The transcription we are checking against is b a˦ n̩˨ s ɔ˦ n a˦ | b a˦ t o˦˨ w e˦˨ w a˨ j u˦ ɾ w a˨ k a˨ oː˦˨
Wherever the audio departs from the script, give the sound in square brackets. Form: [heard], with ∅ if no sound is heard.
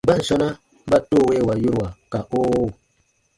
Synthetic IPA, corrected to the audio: b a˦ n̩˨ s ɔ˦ n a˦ | b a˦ t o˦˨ w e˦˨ w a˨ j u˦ ɾ w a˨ k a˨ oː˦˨